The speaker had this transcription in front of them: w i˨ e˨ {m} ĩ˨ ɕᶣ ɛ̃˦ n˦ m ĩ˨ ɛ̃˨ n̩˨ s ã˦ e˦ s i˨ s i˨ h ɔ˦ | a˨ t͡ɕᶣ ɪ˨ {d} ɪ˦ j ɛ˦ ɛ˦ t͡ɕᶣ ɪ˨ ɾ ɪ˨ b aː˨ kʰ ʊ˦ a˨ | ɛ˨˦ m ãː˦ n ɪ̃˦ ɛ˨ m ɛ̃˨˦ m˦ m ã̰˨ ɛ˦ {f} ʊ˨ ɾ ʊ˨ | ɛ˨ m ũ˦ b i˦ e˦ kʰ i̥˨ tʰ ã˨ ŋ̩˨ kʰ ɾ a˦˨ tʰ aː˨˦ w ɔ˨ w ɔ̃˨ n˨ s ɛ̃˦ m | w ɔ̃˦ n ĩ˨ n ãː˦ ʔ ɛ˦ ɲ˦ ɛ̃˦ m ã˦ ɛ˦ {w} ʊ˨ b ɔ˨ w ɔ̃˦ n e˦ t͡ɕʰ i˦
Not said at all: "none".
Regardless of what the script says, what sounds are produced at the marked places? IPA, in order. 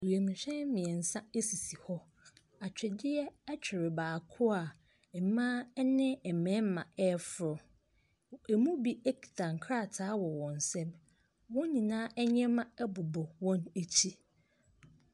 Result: m, d, f, b

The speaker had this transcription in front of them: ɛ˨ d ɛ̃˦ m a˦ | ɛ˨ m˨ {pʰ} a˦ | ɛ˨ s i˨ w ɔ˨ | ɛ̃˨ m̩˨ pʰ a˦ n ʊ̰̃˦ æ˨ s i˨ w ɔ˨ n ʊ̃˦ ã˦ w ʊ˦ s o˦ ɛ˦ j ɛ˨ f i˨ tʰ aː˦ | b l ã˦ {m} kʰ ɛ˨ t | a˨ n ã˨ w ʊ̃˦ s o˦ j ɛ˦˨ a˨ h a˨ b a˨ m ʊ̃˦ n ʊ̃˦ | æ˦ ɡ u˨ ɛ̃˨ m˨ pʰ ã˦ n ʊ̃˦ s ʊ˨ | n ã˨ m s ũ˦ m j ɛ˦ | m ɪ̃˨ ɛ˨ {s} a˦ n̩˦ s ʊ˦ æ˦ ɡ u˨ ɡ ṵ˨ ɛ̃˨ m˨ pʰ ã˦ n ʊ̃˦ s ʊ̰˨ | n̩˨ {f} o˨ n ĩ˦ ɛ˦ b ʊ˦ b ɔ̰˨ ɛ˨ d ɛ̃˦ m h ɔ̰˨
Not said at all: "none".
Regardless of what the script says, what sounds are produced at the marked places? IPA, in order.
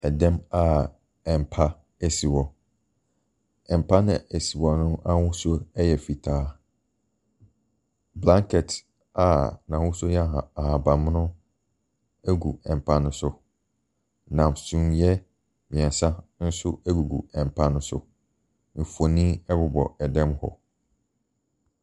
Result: pʰ, ŋ, s, f

